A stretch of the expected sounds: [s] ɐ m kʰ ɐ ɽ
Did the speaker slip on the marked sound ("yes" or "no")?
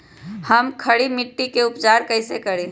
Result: yes